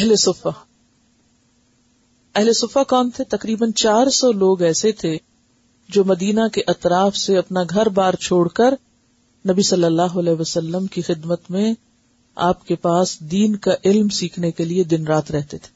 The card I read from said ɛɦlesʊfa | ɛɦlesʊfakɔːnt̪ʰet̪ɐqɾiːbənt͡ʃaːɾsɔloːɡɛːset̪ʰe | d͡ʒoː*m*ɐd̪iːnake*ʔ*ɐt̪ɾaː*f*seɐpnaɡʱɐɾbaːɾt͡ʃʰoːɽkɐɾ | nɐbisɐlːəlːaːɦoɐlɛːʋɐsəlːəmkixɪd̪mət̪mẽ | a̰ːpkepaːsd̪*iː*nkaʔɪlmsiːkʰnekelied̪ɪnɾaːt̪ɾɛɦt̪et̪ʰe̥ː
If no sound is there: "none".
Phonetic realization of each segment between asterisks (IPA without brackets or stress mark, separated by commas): m, ʔ, f, iː